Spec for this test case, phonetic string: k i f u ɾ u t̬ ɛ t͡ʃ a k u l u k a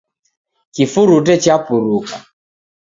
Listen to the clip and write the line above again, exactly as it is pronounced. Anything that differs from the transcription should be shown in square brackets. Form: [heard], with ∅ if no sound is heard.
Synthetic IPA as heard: k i f u ɾ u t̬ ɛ t͡ʃ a [p] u [ɾ] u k a